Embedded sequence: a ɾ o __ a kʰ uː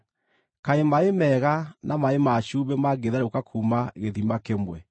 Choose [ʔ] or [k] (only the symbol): k